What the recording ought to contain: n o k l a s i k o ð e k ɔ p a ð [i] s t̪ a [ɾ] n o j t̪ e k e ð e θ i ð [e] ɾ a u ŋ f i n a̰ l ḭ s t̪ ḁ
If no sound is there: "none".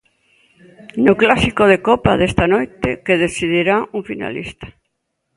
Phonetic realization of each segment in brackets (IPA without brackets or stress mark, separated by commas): e, none, i